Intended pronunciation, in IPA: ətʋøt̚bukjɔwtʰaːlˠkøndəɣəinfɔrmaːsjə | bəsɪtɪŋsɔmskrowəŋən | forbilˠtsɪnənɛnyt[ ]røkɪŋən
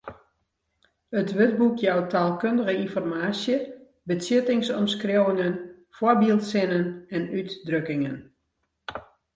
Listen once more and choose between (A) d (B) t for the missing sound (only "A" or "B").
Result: A